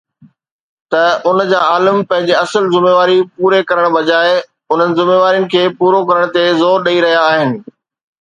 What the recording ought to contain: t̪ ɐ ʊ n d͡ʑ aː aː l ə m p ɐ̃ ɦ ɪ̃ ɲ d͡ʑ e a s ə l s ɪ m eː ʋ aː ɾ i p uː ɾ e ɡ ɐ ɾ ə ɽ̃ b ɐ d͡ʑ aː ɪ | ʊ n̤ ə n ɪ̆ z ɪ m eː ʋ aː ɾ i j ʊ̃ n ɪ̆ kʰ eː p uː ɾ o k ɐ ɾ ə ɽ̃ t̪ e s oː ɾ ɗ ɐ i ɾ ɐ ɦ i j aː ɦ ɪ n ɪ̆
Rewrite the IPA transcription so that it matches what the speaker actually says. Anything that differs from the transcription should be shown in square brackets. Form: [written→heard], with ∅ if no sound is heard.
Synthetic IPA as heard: t̪ ɐ ʊ n d͡ʑ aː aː l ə m p ɐ̃ ɦ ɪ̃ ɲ d͡ʑ e [a→ɐ] s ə l [s→z] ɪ m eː ʋ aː ɾ i p uː ɾ e [ɡ→k] ɐ ɾ ə ɽ̃ b ɐ d͡ʑ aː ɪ | ʊ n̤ ə n ɪ̆ z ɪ m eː ʋ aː ɾ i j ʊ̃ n ɪ̆ kʰ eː p uː ɾ o k ɐ ɾ ə ɽ̃ t̪ e [s→z] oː ɾ ɗ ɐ i ɾ ɐ ɦ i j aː ɦ ɪ n ɪ̆

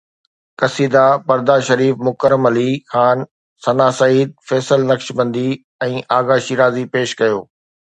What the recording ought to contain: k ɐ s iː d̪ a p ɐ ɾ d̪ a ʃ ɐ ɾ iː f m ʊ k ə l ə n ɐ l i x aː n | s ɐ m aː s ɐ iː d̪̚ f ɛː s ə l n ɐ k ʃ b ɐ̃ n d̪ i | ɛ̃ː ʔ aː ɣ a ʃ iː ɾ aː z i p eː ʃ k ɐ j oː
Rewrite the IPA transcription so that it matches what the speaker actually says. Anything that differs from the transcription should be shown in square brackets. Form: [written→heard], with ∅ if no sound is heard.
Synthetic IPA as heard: k ɐ s iː d̪ a p ɐ ɾ d̪ a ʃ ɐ ɾ iː f m ʊ k ə [l→ɾ] ə [n→m] ɐ l i x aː n | s ɐ [m→n] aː s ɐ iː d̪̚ f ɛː s ə l n ɐ k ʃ b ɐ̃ n d̪ i | ɛ̃ː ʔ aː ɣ a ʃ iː ɾ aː z i p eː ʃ k ɐ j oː

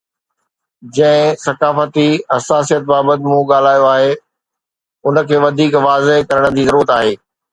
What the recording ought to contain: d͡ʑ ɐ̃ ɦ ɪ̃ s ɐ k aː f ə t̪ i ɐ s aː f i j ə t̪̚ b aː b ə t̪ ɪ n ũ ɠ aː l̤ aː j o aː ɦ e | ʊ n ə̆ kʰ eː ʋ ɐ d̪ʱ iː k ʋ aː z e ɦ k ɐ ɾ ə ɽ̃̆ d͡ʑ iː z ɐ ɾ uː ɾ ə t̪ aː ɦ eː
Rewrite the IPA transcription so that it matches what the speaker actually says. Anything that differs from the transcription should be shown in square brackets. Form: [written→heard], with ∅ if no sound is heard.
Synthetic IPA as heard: d͡ʑ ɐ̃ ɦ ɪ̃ s ɐ k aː f ə t̪ i ɐ s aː [f→s] i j ə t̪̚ b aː b ə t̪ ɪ [n→m] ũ ɠ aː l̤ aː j o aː ɦ e | ʊ n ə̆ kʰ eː ʋ ɐ d̪ʱ iː k ʋ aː z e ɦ k ɐ ɾ ə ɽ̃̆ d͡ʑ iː z ɐ ɾ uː ɾ ə t̪ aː ɦ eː

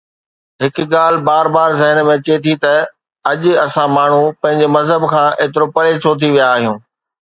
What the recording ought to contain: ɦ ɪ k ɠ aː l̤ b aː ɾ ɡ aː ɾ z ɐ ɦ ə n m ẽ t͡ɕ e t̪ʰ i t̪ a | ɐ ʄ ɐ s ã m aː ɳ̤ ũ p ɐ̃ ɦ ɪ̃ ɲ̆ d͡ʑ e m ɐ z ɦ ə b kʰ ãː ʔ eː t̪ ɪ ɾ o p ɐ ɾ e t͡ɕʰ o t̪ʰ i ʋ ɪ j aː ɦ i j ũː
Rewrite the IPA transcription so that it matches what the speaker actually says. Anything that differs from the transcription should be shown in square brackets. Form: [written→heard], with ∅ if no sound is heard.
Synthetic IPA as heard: ɦ ɪ k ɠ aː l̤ b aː ɾ [ɡ→b] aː ɾ z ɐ ɦ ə n m ẽ t͡ɕ e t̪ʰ i t̪ [a→ɐ] | ɐ ʄ ɐ s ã m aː ɳ̤ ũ p ɐ̃ ɦ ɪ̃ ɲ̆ d͡ʑ e m ɐ z ɦ ə b kʰ ãː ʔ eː t̪ ɪ ɾ o p ɐ ɾ e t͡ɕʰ o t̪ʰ i ʋ [ɪ→i] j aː ɦ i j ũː

